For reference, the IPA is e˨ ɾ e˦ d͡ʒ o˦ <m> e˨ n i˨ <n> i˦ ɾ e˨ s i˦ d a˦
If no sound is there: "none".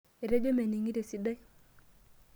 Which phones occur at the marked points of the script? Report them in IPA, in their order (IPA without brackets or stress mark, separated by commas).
m, ŋ